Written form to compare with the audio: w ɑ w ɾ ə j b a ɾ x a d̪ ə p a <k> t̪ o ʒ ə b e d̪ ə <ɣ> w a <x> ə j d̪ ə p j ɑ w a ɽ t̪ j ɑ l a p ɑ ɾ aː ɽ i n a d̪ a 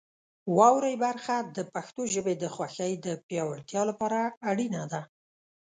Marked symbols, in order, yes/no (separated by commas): no, no, yes